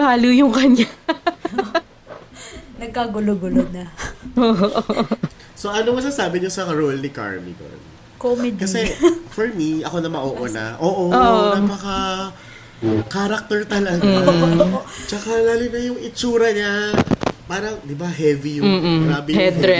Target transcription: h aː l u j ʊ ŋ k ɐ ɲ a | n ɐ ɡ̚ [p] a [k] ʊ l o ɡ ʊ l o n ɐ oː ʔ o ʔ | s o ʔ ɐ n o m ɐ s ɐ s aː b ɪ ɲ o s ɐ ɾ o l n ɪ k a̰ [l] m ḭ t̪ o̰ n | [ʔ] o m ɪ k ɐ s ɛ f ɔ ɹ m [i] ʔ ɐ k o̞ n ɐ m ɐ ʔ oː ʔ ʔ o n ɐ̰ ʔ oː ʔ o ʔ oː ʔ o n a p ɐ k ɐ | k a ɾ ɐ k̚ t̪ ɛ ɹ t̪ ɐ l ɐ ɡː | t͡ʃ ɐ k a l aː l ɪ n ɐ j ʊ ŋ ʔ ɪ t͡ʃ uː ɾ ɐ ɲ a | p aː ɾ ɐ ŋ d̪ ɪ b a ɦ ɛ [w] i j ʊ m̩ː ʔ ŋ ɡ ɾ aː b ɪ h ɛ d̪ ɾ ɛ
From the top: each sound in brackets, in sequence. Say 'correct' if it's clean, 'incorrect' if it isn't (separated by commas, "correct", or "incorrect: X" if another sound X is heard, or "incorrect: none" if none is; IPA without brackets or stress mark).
incorrect: k, incorrect: ɡ, incorrect: ɹ, incorrect: k, correct, incorrect: v